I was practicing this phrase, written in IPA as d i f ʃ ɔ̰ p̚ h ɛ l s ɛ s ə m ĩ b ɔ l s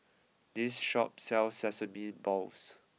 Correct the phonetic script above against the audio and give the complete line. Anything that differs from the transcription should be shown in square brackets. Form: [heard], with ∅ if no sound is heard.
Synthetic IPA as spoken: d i [s] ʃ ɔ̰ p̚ [s] ɛ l s ɛ s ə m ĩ b ɔ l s

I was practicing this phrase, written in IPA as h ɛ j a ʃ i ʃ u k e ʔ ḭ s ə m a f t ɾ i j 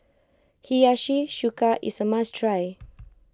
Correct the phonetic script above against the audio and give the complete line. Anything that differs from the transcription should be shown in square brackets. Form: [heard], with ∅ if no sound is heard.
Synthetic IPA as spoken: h [i] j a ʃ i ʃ u k [a] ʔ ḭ s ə m a [s] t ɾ [a] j

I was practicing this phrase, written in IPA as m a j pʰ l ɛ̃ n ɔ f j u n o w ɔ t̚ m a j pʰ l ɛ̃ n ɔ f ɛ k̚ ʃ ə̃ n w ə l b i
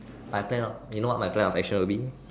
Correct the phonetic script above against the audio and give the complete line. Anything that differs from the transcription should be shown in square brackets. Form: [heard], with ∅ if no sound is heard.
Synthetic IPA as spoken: m a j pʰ l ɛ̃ n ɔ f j u n o w ɔ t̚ m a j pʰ l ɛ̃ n ɔ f ɛ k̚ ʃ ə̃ n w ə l b i

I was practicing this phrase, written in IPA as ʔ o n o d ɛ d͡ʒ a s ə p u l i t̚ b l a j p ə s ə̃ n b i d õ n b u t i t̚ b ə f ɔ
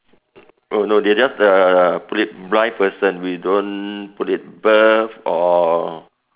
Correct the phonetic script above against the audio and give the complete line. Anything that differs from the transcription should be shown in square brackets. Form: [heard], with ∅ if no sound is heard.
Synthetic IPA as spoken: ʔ o n o d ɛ d͡ʒ a s ə p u l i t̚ b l a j p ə s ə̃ n [w] i d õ n [p] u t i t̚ b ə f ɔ

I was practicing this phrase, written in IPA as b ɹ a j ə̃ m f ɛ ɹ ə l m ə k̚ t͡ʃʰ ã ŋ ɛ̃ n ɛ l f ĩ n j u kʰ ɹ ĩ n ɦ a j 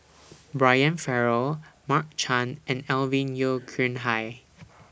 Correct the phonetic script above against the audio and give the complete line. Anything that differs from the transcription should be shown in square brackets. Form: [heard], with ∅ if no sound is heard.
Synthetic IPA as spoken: b ɹ a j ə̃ [n] f ɛ ɹ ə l m [a] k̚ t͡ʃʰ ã [n] ɛ̃ n ɛ l [v] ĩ n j [o] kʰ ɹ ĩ n ɦ a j

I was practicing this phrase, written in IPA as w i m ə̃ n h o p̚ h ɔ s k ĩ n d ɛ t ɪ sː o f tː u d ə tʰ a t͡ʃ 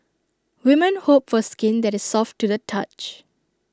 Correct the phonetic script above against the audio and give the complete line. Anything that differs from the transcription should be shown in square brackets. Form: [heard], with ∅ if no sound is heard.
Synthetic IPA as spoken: w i m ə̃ n h o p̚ [f] ɔ s k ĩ n d ɛ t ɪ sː [ɔ] f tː u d ə tʰ a t͡ʃ

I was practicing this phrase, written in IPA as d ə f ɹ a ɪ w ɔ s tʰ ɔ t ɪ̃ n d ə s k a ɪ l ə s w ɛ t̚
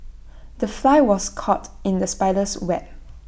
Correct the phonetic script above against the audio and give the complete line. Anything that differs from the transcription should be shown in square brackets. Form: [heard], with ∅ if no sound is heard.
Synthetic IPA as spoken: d ə f [l] a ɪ w ɔ s [kʰ] ɔ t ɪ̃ n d ə s [p] a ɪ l ə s w ɛ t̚

